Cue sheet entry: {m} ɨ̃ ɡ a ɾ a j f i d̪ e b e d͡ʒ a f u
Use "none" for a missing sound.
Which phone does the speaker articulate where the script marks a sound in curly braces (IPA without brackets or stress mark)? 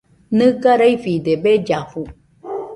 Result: n